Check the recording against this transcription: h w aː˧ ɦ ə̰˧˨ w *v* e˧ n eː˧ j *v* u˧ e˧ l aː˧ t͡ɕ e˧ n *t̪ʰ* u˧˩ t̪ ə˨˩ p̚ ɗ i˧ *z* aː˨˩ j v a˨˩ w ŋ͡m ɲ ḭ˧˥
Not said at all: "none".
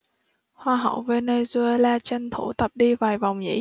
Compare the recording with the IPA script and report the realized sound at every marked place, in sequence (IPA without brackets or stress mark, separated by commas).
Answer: v, z, t̪ʰ, v